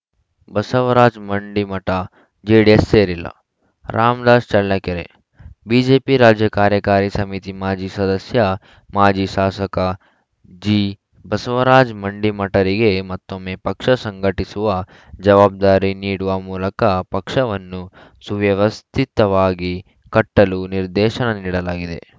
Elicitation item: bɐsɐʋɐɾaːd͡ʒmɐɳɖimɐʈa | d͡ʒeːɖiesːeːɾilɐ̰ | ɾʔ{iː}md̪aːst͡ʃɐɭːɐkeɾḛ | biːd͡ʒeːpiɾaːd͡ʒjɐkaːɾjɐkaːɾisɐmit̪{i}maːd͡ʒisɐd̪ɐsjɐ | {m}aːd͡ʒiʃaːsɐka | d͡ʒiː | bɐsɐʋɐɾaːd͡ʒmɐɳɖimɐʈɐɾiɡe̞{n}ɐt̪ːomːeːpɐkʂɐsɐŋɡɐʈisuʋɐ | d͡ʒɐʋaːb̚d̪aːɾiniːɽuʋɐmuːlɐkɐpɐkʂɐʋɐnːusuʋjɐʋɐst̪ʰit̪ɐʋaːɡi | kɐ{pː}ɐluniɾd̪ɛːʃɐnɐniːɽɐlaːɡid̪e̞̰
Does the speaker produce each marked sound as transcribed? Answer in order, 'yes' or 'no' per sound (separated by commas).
no, yes, yes, no, no